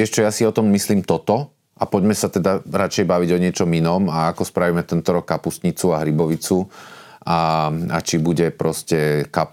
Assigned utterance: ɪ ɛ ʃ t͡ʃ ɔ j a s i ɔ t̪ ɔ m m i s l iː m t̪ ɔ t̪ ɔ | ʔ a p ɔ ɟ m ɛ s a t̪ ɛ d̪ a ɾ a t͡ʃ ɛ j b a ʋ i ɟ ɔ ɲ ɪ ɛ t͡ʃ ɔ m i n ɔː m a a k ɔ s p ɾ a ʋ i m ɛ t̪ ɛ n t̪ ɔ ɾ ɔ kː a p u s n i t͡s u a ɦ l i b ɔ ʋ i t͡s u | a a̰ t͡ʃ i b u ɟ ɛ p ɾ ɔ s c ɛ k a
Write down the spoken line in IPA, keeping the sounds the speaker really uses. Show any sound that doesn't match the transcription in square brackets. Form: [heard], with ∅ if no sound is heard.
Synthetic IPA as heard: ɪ ɛ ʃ t͡ʃ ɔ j a s i ɔ t̪ ɔ m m i s l iː m t̪ ɔ t̪ ɔ | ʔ a p ɔ ɟ m ɛ s a t̪ ɛ d̪ a ɾ a t͡ʃ ɛ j b a ʋ i ɟ ɔ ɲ ɪ ɛ t͡ʃ ɔ m i n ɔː m a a k ɔ s p ɾ a ʋ i m ɛ t̪ ɛ n t̪ ɔ ɾ ɔ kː a p u s [ɲ] i t͡s u a ɦ [ɾ] i b ɔ ʋ i t͡s u | a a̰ t͡ʃ i b u ɟ ɛ p ɾ ɔ s c ɛ k a